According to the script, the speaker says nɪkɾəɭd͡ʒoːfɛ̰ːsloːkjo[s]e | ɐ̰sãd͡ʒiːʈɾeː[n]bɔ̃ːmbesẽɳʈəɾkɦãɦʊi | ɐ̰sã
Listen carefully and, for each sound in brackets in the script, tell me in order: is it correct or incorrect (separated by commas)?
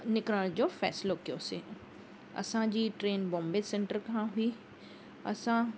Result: correct, correct